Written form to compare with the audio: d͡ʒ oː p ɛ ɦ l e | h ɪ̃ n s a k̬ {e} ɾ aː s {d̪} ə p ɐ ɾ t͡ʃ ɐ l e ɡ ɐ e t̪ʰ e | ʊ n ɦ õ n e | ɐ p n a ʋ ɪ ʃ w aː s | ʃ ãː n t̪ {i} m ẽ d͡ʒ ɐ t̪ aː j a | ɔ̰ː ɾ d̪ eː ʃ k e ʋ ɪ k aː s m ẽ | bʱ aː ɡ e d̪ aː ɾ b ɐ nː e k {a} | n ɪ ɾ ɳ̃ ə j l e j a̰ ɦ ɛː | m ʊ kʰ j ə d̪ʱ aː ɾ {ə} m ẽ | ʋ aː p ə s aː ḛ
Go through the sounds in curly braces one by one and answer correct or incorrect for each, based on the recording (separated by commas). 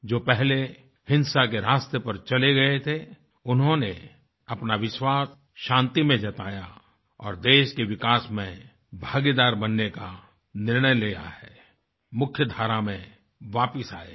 correct, incorrect, correct, correct, incorrect